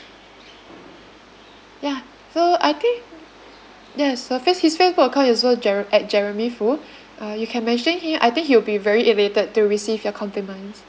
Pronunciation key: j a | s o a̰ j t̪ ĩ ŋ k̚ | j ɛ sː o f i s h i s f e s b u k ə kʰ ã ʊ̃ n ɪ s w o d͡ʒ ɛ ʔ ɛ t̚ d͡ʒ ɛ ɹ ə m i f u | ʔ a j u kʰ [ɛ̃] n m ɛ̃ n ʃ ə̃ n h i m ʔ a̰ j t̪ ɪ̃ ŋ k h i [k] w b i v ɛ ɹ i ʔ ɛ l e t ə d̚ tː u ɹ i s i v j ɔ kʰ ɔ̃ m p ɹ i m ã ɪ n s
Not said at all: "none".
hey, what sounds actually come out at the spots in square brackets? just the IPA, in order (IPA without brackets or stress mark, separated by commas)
ɛ̃, none